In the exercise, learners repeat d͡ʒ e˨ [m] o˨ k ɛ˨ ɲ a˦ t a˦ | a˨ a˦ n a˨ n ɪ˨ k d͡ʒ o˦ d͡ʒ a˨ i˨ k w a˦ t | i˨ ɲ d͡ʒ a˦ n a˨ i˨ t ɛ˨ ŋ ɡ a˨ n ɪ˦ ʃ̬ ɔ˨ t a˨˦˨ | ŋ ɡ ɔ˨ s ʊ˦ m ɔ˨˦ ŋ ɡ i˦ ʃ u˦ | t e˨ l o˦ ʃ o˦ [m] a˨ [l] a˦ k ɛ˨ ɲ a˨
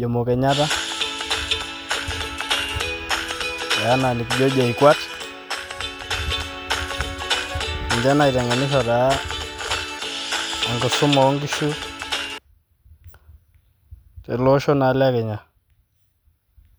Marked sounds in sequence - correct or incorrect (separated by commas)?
correct, incorrect, correct